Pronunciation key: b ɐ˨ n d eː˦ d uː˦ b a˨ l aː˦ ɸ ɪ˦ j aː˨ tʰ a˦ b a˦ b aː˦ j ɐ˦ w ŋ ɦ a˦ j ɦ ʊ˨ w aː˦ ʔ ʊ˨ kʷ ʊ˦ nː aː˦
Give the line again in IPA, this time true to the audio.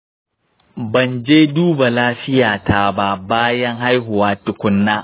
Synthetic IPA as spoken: b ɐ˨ n d͡ʒ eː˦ d uː˦ b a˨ l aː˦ ɸ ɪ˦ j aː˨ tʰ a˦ b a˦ b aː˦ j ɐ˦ ŋ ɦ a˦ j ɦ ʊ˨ w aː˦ t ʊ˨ kʷ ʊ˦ nː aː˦